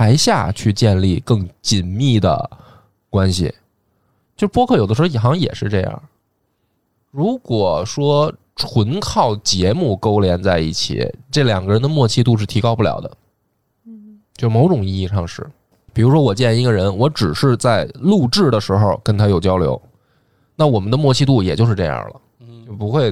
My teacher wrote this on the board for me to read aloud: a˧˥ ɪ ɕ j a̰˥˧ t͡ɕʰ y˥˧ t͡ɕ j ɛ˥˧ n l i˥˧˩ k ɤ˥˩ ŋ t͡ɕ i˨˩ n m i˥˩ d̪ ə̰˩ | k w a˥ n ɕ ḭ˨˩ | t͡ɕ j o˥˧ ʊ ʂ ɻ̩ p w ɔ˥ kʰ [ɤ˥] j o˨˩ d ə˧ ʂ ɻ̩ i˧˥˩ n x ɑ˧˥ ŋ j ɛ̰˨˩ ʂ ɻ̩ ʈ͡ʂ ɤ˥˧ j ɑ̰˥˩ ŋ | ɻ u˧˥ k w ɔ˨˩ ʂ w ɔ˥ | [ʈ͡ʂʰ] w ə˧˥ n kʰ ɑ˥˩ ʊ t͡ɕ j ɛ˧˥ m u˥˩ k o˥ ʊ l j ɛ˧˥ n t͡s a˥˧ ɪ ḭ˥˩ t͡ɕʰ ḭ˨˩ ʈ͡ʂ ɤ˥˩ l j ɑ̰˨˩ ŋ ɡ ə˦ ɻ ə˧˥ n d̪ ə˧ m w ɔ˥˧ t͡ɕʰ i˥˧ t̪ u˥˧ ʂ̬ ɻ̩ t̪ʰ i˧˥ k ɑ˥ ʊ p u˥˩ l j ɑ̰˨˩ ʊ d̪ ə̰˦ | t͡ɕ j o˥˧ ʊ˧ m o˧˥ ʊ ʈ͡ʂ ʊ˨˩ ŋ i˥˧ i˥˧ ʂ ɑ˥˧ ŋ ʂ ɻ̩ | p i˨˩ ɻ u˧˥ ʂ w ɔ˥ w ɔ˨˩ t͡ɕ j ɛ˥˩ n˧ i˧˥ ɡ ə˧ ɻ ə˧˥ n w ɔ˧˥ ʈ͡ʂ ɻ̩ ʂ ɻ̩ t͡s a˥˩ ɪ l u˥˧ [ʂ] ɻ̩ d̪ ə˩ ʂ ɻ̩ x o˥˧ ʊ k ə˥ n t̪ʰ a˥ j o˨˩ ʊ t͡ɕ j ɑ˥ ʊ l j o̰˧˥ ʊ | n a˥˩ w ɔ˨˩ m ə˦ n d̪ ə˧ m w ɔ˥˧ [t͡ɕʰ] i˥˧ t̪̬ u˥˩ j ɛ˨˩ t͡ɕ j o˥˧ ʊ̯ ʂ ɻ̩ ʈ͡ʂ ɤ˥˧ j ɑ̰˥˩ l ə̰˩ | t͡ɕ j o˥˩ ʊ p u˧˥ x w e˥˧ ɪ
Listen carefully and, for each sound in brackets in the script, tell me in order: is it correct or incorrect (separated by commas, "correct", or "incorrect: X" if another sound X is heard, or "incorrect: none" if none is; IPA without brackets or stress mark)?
incorrect: ɤ˥˩, correct, incorrect: ʈ͡ʂ, correct